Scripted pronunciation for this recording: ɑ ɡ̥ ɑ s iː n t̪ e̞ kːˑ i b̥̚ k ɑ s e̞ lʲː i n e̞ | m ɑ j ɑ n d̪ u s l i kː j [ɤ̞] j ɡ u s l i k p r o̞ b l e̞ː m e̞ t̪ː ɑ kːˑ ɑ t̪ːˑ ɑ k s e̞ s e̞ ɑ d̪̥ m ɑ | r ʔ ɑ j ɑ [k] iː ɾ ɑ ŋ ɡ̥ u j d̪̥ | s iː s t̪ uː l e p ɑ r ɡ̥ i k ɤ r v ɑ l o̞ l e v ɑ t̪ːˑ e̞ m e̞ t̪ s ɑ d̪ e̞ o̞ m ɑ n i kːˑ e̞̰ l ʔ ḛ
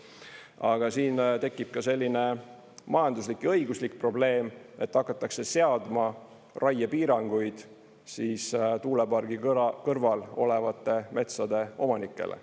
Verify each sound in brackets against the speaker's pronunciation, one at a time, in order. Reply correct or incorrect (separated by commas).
correct, incorrect